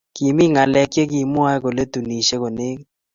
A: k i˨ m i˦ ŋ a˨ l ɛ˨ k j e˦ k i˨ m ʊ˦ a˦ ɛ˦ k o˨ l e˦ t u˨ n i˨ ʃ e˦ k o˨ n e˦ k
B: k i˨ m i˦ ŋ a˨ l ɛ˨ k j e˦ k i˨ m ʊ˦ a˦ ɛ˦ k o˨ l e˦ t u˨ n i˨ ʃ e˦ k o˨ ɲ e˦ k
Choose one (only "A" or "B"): A